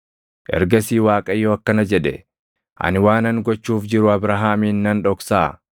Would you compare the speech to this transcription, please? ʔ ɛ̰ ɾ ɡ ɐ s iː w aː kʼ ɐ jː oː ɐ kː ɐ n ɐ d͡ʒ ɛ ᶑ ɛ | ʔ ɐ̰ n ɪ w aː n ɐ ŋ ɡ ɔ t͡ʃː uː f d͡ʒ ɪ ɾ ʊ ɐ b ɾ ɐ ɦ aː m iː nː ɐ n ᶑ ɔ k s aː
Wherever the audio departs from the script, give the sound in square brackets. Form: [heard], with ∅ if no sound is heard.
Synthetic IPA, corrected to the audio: ʔ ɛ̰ ɾ ɡ ɐ s iː w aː kʼ ɐ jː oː ɐ kː ɐ n ɐ d͡ʒ ɛ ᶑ ɛ | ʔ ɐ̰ n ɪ w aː n ɐ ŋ ɡ ɔ t͡ʃː uː f d͡ʒ ɪ ɾ ʊ ɐ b ɾ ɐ ɦ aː m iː nː ɐ n ᶑ ɔ k s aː